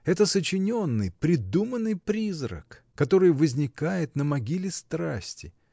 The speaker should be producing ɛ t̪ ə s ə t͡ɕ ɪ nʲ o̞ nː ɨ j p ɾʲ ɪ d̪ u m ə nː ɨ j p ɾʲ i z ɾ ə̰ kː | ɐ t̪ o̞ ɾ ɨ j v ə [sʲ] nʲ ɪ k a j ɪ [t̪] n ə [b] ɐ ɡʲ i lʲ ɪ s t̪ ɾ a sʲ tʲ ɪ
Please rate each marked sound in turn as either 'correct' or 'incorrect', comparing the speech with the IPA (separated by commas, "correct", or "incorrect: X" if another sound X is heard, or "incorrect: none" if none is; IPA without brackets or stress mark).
incorrect: zʲ, correct, incorrect: m